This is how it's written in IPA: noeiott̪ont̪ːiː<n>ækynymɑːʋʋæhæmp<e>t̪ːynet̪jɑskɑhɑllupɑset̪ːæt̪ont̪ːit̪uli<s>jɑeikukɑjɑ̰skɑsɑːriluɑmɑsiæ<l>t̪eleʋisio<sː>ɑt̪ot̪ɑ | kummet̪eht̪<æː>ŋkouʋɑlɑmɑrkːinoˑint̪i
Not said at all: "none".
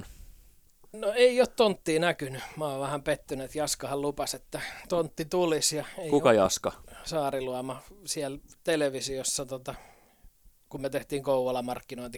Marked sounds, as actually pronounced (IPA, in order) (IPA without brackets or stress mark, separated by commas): n, e, s, l, sː, iː